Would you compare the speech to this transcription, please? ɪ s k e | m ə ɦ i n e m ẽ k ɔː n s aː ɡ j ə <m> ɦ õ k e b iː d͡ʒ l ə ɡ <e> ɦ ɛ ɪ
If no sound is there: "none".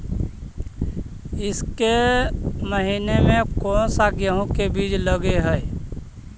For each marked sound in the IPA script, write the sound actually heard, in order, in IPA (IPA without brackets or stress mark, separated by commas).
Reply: none, e